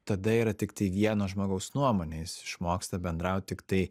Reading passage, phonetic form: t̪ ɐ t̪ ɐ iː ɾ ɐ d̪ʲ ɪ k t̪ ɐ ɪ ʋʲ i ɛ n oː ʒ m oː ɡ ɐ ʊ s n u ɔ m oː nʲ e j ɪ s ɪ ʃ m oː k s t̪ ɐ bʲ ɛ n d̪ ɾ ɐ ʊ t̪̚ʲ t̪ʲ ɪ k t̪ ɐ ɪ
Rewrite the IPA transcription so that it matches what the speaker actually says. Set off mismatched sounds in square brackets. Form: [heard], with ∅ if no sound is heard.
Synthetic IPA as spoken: t̪ ɐ [d̪] ɐ iː ɾ ɐ [t̪ʲ] ɪ k t̪ ɐ ɪ ʋʲ i ɛ n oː ʒ m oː ɡ ɐ ʊ s n u ɔ m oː nʲ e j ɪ s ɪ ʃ m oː k s t̪ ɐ bʲ ɛ n d̪ ɾ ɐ ʊ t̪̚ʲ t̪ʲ ɪ k t̪ ɐ ɪ